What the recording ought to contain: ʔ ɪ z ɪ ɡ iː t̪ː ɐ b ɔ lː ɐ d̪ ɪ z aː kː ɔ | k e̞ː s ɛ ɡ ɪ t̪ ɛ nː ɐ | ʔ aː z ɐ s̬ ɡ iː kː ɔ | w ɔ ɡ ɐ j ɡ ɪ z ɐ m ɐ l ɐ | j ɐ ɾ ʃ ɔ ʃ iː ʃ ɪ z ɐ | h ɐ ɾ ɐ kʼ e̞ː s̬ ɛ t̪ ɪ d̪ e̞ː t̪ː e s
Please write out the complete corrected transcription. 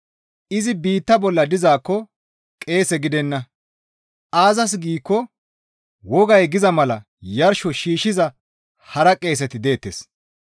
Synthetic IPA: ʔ ɪ z ɪ b iː t̪ː ɐ b ɔ lː ɐ d̪ ɪ z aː kː ɔ | kʼ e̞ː s ɛ ɡ ɪ d̪ ɛ nː ɐ | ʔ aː z ɐ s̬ ɡ iː kː ɔ | w ɔ ɡ ɐ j ɡ ɪ z ɐ m ɐ l ɐ | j ɐ ɾ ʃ ɔ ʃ iː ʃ ɪ z ɐ | h ɐ ɾ ɐ kʼ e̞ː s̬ ɛ t̪ ɪ d̪ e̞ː t̪ː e s